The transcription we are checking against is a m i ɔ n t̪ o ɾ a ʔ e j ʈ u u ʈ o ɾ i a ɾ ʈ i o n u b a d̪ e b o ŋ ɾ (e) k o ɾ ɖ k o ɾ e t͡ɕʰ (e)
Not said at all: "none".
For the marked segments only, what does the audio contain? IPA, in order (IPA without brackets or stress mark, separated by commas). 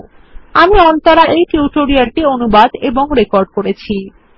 e, i